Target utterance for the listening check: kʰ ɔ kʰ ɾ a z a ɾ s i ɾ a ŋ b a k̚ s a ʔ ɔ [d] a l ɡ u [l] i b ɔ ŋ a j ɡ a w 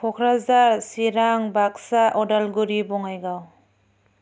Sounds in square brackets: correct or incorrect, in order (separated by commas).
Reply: correct, incorrect